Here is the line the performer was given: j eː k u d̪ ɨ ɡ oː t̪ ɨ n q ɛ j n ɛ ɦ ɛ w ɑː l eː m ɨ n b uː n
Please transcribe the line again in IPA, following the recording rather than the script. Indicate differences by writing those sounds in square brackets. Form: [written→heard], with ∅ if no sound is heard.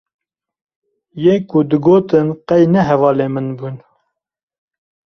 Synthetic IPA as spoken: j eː k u d̪ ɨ ɡ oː t̪ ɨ n q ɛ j n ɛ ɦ ɛ [w→v] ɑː l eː m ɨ n b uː n